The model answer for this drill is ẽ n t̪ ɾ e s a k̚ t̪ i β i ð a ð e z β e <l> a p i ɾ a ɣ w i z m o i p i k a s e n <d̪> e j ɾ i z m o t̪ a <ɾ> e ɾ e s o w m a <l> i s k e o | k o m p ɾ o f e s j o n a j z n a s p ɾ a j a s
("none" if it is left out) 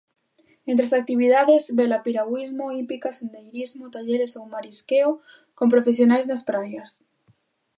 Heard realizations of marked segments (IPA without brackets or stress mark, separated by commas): l, d̪, ʎ, ɾ